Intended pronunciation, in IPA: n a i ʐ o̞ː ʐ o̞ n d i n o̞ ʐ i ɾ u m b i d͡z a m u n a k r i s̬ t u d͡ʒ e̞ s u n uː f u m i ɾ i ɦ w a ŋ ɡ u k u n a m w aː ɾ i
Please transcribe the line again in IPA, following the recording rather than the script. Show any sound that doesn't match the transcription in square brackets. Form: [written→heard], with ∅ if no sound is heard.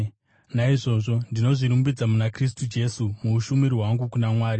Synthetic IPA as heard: n a i ʐ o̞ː ʐ o̞ n d i n o̞ ʐ i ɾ u m b i d͡z a m u n a k r i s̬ t u d͡ʒ e̞ s u [n→m] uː [f→ʃ] u m i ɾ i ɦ w a ŋ ɡ u k u n a m w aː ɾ i

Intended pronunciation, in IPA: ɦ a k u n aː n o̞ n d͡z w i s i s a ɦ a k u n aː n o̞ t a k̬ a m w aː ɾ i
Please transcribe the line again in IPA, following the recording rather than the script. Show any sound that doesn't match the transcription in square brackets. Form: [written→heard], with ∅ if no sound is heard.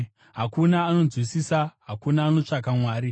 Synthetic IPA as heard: ɦ a k u n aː n o̞ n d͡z w i s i s a ɦ a k u n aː n o̞ [t→t͡ʂ] a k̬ a m w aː ɾ i

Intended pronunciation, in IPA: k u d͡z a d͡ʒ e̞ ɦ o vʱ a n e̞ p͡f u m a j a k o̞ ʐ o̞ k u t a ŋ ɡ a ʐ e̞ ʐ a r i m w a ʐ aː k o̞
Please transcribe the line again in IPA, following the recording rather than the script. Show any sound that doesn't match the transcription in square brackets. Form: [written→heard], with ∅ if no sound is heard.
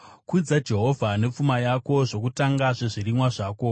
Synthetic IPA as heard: k u d͡z a d͡ʒ e̞ ɦ o vʱ a n e̞ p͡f u m a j a k o̞ ʐ o̞ k u t a ŋ ɡ a ʐ e̞ ʐ [a→i] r i m w a ʐ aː k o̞

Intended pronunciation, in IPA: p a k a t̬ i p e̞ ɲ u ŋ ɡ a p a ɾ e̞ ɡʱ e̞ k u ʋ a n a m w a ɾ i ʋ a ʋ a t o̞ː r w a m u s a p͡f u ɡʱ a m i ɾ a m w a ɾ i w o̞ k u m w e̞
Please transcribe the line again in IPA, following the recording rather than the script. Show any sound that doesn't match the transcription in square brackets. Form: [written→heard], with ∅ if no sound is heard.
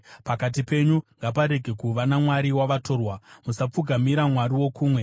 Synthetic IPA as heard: p a k a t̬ i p e̞ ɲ u ŋ ɡ a p a ɾ e̞ ɡʱ e̞ k u ʋ a n a m w a ɾ i [ʋ→w] a ʋ a t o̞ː r w a m u s a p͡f u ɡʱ a m i ɾ a m w a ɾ i w o̞ k [u→uː] m w e̞

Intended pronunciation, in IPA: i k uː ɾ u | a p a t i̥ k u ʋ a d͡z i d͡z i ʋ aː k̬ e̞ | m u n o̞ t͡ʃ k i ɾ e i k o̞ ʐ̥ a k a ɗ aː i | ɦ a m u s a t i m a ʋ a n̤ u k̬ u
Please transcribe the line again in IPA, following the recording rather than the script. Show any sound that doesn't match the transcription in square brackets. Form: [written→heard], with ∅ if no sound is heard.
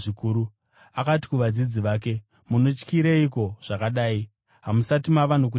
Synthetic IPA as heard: i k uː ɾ u | a [p→k] a t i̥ k u ʋ a d͡z i d͡z i ʋ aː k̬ e̞ | m u n o̞ t͡ʃ k i ɾ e i k o̞ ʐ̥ a k a ɗ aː i | ɦ a m u s a t i m a ʋ a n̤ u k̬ u

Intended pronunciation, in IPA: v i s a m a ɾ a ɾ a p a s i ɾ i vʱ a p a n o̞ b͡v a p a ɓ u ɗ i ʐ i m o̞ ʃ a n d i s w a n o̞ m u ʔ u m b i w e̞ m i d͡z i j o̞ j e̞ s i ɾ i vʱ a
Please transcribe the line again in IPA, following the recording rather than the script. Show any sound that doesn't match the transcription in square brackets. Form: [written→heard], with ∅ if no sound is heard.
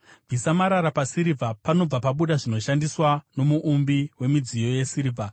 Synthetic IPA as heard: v i s a m a ɾ a ɾ a p a s i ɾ i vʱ a p a n o̞ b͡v a p a ɓ u ɗ [i→a] ʐ i [m→n] o̞ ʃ a n d i s w a n o̞ m u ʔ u m b i w e̞ m i d͡z i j o̞ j e̞ s i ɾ i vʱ a

